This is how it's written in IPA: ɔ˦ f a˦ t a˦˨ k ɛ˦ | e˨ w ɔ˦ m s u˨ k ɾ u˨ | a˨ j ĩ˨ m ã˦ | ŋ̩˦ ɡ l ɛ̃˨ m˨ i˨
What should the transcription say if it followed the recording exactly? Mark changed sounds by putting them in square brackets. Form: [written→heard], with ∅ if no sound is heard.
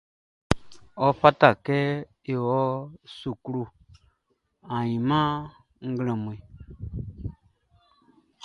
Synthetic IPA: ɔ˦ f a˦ t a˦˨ k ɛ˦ | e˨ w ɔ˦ [m→∅] s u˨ k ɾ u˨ | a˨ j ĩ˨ m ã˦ | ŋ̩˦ ɡ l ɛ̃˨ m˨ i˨